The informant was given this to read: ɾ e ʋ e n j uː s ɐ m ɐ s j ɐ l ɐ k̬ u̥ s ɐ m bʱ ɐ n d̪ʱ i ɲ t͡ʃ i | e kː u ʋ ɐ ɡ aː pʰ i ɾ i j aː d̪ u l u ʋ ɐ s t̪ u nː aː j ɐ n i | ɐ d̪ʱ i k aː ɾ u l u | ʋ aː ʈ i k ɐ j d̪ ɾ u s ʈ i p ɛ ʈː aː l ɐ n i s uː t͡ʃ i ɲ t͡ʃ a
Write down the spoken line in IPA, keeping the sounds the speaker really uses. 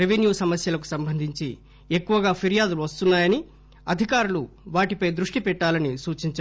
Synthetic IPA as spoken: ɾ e ʋ e n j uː s ɐ m ɐ s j ɐ l ɐ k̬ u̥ s ɐ m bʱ ɐ n d̪ʱ i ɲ t͡ʃ i | e kː u ʋ ɐ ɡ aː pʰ i ɾ i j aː d̪ u l u ʋ ɐ s t̪ u nː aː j ɐ n i | ɐ d̪ʱ i k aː ɾ u l u | ʋ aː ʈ i p ɐ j d̪ ɾ u ʂ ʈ i p ɛ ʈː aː l ɐ n i s uː t͡ʃ i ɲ t͡ʃ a